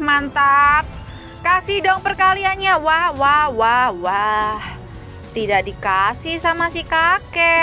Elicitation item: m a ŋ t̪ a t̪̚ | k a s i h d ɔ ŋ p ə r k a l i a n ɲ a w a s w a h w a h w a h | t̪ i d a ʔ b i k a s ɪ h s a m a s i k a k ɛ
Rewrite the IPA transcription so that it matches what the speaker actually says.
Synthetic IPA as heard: m a n t̪ a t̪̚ | k a s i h d ɔ ŋ p ə r k a l i a n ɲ a w a h w a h w a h w a h | t̪ i d a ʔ d i k a s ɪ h s a m a s i k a k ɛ